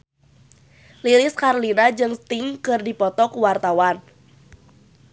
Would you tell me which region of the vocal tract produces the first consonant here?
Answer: tongue tip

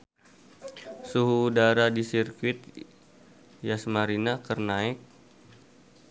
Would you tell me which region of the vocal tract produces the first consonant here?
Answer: tongue tip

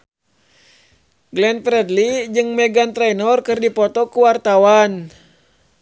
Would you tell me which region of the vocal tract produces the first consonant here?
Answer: velum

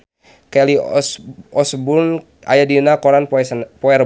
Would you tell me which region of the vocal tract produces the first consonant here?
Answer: velum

